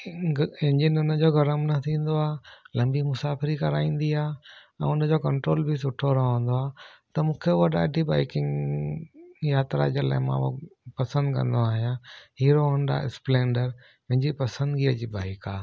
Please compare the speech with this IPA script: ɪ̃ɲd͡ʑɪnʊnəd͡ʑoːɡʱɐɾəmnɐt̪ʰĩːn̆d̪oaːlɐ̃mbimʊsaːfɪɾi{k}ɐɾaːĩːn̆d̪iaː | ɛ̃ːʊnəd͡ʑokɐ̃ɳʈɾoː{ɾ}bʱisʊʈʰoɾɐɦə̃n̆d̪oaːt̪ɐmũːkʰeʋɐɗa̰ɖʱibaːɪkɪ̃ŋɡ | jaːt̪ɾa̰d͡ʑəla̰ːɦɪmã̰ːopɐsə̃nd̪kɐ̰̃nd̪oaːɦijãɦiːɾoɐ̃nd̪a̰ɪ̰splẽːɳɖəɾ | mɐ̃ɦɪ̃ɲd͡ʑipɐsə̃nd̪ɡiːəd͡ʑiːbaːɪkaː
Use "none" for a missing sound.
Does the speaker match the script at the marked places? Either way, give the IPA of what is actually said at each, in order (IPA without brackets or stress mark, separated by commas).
k, l